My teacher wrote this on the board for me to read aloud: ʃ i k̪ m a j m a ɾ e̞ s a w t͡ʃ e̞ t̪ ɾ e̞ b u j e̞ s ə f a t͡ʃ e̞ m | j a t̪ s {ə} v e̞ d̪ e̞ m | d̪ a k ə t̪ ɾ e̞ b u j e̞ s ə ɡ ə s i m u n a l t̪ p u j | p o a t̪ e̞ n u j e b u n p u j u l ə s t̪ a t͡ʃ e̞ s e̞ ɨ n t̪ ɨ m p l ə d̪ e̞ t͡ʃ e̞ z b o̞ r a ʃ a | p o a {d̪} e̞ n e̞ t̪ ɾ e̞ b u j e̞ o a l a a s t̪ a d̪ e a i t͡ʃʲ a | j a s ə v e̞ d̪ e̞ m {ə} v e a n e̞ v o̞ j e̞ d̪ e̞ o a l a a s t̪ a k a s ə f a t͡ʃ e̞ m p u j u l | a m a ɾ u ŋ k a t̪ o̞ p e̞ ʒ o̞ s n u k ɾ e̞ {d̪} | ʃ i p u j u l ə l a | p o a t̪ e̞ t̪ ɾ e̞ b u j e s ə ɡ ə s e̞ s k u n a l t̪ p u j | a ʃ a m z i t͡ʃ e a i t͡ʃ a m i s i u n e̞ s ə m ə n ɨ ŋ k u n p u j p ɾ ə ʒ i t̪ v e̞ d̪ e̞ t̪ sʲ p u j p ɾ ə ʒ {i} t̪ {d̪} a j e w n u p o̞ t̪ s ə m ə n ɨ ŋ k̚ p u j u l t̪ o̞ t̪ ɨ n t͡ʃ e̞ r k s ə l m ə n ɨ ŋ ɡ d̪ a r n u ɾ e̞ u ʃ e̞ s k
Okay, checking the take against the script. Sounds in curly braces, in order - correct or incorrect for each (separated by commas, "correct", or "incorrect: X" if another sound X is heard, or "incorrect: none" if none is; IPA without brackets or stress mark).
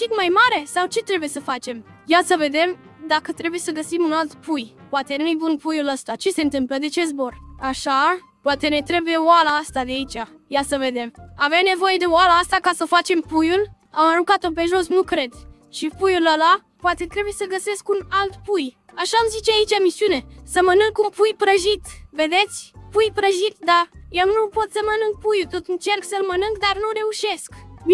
correct, incorrect: t̪, incorrect: a, correct, correct, correct